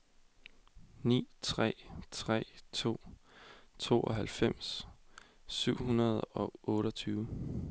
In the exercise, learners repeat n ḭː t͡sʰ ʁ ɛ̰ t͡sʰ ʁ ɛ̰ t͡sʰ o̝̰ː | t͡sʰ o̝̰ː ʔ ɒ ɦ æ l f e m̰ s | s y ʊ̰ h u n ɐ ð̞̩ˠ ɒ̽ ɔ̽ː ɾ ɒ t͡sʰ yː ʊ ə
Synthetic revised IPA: n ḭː t͡sʰ ʁ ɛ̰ t͡sʰ ʁ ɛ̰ t͡sʰ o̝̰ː | t͡sʰ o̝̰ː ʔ ɒ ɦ æ l f e m̰ s | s y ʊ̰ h u n ɐ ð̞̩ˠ ɒ̽ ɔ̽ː ɾ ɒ t͡sʰ yː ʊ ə